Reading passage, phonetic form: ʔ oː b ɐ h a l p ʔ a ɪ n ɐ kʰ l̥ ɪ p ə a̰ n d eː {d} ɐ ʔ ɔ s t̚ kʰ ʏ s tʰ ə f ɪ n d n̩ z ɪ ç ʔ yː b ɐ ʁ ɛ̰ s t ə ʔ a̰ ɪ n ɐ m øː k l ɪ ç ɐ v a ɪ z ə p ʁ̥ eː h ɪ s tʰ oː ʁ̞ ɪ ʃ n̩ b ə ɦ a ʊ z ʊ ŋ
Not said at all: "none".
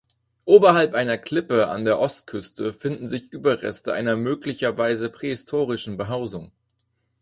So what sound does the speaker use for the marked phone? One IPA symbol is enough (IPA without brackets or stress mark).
none